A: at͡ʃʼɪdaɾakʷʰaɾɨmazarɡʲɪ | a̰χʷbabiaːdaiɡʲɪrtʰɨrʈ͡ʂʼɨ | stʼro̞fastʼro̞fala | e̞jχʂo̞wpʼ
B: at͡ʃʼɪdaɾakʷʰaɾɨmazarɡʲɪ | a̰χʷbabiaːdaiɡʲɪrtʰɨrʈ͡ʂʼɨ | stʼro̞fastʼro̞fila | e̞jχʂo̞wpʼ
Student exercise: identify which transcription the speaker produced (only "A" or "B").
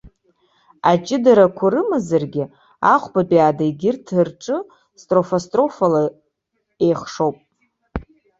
A